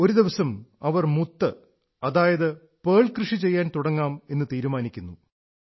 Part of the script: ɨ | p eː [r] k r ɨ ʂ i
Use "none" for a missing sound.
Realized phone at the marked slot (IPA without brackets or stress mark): ɭ